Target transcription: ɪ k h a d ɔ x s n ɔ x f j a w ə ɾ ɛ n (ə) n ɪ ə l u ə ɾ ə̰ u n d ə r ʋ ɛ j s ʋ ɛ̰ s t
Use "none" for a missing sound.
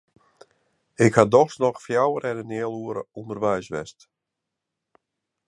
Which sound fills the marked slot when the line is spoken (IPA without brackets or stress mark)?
ə